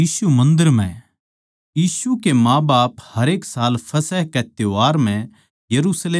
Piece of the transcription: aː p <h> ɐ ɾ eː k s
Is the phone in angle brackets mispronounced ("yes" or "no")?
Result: no